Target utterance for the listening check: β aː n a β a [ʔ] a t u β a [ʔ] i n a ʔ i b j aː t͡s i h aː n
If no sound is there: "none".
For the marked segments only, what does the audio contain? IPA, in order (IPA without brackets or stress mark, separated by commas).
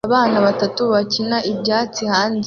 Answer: t, c